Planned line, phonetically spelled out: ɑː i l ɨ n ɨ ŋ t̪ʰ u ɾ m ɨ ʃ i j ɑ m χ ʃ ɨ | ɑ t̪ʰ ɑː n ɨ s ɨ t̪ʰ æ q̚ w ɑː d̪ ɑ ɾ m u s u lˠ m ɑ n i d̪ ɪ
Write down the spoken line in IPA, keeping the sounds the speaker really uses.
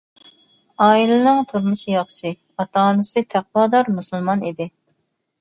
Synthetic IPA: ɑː i l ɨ n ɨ ŋ t̪ʰ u ɾ m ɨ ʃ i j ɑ χ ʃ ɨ | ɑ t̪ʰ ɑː n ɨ s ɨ t̪ʰ æ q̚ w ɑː d̪ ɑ ɾ m u s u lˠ m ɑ n i d̪ ɪ